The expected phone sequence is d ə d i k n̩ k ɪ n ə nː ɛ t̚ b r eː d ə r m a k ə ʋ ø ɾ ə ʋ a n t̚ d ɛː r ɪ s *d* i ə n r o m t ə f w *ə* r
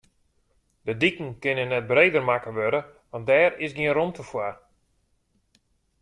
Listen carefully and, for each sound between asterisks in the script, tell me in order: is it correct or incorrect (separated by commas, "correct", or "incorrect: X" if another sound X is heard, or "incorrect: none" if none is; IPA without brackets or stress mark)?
incorrect: ɡ, incorrect: a